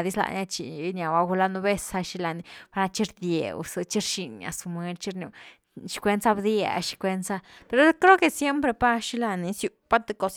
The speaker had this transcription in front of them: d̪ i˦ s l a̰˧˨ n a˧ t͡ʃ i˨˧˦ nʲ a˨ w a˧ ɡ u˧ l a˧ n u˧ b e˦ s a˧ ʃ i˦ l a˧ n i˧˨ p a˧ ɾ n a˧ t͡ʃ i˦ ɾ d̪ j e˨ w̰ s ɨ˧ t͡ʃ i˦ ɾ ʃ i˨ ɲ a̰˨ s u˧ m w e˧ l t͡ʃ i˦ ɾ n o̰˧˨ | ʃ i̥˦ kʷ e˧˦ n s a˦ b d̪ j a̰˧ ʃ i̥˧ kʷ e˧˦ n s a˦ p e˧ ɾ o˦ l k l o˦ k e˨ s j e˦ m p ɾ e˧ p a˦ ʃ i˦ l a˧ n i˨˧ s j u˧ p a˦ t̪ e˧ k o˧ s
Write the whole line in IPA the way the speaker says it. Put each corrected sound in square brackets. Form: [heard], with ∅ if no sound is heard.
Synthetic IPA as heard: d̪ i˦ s l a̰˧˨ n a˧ t͡ʃ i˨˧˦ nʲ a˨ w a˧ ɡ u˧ l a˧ n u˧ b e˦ s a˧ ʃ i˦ l a˧ n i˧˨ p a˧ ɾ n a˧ t͡ʃ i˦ ɾ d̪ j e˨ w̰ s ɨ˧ t͡ʃ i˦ ɾ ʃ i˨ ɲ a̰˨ s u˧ m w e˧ l t͡ʃ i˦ ɾ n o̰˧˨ | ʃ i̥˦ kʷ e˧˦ n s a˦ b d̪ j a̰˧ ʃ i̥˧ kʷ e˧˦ n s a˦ p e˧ ɾ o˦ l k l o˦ k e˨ s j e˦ m p ɾ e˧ p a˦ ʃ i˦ l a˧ n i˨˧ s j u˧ p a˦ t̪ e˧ k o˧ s